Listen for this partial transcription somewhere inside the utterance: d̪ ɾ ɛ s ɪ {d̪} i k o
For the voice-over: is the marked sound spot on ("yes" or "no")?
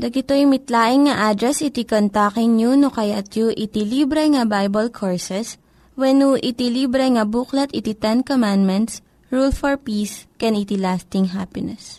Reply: no